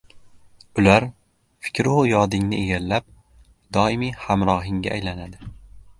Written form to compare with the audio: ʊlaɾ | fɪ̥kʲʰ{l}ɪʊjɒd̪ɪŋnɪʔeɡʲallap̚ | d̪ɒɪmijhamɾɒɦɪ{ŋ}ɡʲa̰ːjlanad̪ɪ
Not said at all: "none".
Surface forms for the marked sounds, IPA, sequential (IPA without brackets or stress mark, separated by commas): ɾ, ŋ